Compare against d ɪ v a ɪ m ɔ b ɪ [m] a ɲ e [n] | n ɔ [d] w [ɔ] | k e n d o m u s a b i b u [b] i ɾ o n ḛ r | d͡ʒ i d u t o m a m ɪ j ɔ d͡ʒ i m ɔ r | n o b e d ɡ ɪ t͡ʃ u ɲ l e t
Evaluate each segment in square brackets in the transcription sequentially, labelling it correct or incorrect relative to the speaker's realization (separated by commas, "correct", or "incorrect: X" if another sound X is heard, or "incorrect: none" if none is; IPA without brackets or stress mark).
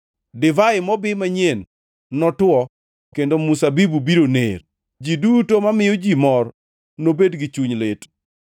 correct, correct, incorrect: t, correct, correct